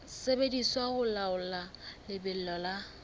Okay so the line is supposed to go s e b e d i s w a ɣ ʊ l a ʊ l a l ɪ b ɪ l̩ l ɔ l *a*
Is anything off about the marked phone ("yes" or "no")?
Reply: no